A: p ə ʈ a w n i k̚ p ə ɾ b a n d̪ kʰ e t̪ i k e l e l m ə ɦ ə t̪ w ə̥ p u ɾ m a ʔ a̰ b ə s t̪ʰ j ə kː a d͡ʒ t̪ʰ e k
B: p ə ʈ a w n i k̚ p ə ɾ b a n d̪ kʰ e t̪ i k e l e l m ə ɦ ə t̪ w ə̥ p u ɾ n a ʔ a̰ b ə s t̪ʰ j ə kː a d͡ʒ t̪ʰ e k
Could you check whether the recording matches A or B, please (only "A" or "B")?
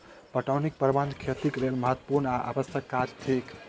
B